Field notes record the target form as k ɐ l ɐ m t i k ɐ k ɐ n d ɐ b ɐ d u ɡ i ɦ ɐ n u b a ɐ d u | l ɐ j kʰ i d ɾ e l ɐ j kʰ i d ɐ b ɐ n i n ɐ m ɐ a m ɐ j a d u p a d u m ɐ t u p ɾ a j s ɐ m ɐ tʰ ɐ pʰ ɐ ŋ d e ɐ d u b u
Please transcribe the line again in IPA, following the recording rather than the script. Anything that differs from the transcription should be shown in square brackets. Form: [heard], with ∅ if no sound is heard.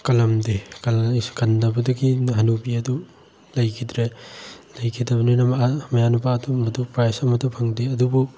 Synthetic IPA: k ɐ l ɐ m [d] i k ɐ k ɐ n d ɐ b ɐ d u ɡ i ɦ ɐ n u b [i] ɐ d u | l ɐ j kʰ i d ɾ e l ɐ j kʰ i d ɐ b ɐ n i n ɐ m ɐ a m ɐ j a [n] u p a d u m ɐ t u p ɾ a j s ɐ m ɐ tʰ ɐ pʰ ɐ ŋ d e ɐ d u b u